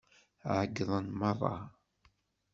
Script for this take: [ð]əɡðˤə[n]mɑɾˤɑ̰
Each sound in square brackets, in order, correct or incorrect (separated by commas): incorrect, correct